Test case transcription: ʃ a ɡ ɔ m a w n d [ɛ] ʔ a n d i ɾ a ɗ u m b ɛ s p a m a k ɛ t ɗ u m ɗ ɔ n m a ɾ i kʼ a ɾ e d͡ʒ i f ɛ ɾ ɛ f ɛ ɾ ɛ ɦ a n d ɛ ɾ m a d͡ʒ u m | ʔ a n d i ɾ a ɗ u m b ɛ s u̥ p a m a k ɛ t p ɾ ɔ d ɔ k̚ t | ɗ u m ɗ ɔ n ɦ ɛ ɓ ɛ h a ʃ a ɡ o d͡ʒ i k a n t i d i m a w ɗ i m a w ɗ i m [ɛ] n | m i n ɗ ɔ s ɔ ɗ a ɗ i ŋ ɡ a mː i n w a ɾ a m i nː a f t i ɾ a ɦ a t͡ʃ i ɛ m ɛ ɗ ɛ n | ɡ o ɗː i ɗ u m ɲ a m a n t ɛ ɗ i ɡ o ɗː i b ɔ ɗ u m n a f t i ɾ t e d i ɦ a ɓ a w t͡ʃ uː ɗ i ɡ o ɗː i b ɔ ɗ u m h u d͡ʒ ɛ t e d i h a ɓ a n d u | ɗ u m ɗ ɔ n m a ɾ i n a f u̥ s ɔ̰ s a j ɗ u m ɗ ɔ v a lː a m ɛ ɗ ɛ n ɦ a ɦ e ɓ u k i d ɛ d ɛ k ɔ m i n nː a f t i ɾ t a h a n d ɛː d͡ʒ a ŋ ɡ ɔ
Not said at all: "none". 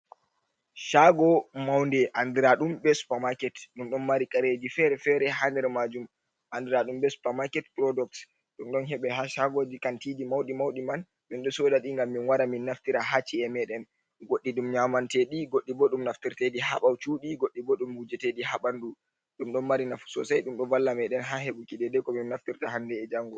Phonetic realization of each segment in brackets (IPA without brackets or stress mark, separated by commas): ɛ, a